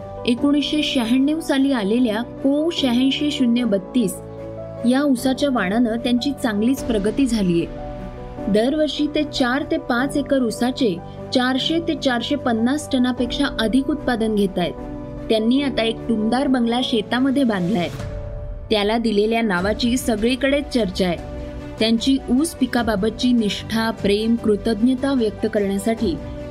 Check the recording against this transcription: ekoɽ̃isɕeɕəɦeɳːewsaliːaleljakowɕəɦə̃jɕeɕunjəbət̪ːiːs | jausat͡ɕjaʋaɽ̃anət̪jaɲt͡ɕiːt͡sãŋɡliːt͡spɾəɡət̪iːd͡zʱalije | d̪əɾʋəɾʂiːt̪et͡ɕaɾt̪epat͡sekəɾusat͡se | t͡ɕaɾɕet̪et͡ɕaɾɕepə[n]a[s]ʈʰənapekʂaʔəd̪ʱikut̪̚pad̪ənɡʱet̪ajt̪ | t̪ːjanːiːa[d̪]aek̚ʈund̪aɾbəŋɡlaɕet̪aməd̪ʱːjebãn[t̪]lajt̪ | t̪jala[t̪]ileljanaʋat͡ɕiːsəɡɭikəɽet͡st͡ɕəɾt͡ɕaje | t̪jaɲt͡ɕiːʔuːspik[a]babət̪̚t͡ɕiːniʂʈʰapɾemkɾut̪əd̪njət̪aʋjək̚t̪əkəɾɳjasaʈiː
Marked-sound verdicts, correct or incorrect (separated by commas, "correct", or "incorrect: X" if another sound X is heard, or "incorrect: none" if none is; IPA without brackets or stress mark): incorrect: nː, correct, incorrect: t̪, incorrect: d̪, incorrect: d̪, correct